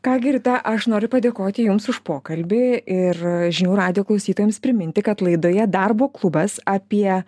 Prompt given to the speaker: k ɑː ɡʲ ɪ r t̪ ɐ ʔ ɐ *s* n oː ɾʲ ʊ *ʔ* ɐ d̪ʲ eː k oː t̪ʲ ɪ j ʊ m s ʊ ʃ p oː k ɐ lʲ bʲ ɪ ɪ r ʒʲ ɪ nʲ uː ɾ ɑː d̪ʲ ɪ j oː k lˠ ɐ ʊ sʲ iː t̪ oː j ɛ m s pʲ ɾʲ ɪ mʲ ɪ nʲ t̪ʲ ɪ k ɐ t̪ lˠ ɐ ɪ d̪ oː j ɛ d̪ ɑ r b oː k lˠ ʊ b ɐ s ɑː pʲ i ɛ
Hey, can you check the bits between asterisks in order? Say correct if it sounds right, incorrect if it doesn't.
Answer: incorrect: ʃ, incorrect: p

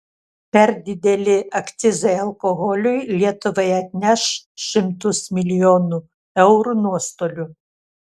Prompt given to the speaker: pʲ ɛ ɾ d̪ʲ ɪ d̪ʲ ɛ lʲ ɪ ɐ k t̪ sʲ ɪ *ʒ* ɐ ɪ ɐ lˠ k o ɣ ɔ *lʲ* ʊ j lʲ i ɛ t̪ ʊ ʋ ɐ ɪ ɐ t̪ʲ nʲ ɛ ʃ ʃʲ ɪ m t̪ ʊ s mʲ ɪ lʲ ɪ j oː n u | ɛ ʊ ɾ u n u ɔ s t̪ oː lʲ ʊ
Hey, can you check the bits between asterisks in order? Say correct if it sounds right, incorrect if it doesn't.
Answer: incorrect: z, correct

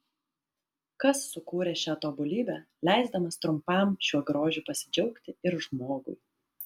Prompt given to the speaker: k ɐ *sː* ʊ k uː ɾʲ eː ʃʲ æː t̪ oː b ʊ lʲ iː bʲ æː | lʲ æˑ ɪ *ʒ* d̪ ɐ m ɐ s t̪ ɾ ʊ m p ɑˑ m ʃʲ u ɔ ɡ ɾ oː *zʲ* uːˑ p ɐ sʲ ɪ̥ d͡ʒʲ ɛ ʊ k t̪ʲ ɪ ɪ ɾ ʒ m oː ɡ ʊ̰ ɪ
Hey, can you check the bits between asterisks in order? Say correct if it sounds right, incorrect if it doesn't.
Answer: correct, incorrect: z, incorrect: ʒʲ

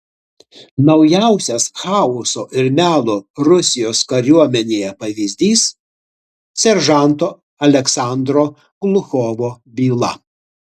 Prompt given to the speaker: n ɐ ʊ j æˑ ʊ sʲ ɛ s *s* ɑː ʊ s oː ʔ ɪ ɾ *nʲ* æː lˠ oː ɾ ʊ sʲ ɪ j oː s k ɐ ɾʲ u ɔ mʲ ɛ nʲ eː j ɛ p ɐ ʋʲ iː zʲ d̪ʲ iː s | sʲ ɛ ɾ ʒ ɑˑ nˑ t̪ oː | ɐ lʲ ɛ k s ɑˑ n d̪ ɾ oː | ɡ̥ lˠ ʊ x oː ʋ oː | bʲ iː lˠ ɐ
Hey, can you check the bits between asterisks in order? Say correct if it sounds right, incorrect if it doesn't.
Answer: incorrect: x, incorrect: mʲ

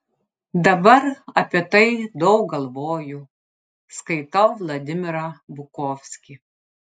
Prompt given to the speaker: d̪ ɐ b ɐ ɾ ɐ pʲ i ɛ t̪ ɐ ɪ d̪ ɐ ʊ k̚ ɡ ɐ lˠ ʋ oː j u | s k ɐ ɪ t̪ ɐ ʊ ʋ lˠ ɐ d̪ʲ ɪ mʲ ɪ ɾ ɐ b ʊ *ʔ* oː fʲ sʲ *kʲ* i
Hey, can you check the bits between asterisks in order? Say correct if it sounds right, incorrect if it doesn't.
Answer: incorrect: k, correct

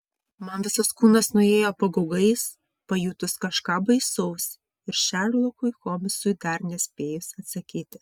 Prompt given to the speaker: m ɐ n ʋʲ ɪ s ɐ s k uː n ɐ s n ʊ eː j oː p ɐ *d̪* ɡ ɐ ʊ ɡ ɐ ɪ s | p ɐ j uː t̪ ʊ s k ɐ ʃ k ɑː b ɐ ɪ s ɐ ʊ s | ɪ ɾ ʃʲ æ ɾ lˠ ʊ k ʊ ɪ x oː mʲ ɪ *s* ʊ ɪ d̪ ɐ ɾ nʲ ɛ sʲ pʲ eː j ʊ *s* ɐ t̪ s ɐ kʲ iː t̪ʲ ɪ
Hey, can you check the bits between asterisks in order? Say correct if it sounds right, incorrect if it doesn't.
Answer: incorrect: none, correct, correct

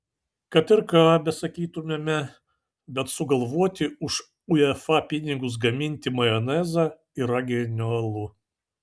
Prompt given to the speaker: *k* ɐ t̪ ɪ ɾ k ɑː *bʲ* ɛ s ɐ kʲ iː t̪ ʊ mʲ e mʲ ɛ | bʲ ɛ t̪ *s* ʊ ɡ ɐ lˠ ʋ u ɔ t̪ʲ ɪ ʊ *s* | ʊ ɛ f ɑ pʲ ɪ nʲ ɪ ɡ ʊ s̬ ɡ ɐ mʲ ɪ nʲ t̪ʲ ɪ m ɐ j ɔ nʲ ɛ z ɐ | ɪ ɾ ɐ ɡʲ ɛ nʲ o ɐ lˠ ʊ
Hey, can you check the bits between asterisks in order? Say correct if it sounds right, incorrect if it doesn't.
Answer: correct, correct, correct, incorrect: ʃ

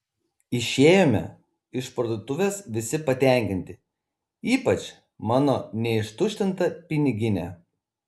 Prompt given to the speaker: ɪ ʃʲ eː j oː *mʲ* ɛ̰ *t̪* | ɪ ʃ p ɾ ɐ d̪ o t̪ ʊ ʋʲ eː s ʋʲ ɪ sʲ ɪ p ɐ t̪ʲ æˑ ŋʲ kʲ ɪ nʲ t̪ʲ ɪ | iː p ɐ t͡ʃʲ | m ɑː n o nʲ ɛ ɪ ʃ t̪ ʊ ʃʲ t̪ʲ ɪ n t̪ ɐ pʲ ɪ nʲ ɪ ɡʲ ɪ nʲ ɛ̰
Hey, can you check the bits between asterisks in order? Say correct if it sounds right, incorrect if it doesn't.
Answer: correct, incorrect: none

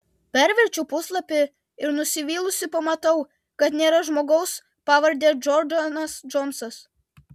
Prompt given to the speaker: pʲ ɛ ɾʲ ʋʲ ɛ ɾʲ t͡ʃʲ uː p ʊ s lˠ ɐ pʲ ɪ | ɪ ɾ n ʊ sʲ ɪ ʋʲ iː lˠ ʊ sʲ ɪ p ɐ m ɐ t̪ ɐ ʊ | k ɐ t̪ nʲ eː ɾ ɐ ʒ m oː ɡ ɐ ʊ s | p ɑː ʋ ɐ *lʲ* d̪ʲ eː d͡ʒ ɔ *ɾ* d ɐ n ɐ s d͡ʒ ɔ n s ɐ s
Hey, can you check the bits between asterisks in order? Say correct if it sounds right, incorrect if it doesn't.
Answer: incorrect: ɾʲ, correct

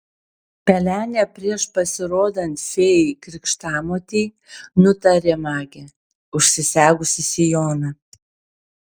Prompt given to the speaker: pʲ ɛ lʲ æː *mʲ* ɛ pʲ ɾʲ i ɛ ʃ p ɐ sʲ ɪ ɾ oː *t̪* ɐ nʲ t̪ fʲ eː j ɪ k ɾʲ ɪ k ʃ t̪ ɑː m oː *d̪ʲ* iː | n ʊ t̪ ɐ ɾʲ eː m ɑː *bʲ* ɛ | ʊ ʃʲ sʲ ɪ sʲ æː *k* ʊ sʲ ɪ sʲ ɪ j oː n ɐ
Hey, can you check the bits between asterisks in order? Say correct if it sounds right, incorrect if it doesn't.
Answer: incorrect: nʲ, incorrect: d̪, incorrect: t̪ʲ, incorrect: ɡʲ, incorrect: ɡ

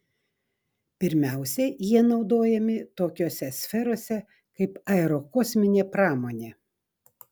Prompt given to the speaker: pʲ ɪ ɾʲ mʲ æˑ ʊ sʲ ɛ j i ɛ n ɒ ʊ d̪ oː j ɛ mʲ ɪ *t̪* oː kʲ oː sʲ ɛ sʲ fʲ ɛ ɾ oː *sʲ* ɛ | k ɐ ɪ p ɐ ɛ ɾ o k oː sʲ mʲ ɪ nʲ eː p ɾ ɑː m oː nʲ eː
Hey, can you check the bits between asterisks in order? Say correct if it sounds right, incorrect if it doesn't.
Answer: correct, correct

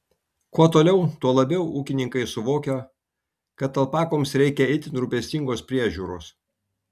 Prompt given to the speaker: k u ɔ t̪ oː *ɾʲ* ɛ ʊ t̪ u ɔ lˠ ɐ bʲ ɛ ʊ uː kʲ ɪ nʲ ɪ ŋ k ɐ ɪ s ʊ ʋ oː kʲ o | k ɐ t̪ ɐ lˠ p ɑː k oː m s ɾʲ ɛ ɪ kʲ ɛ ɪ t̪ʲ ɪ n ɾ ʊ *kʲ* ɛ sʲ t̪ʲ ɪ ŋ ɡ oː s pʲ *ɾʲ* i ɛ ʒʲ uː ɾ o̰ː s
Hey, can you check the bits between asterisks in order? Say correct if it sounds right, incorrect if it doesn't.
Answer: incorrect: lʲ, incorrect: pʲ, correct

